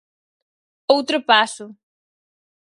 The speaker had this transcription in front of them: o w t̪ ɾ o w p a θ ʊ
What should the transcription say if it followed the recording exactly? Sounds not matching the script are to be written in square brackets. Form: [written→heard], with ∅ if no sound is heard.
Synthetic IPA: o w t̪ ɾ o [w→∅] p a [θ→s] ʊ